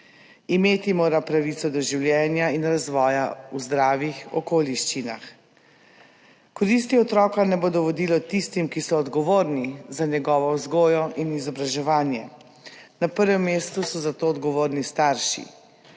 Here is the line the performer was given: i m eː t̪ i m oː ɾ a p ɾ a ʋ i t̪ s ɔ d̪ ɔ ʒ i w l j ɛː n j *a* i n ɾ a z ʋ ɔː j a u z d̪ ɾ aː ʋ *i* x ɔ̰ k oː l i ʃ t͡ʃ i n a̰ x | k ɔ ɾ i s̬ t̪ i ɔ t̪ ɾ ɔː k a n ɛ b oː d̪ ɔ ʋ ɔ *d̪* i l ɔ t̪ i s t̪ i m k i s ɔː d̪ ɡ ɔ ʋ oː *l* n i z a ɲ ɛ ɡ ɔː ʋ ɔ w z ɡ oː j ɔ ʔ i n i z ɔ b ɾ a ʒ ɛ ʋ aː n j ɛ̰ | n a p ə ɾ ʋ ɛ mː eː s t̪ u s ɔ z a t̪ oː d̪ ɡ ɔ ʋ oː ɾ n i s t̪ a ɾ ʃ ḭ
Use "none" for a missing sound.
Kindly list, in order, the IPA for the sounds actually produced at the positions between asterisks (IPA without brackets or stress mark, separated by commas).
a, i, d̪, ɾ